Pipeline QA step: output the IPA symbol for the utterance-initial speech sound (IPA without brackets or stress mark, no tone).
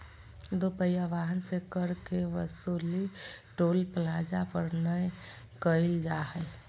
d̪